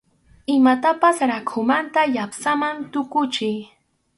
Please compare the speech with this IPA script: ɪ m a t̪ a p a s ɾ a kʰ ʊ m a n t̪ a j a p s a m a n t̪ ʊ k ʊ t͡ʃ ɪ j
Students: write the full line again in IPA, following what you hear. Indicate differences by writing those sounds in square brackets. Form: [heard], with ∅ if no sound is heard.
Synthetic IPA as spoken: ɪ m a t̪ a p a s ɾ a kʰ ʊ m a n t̪ a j a p s a m a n t̪ ʊ k ʊ t͡ʃ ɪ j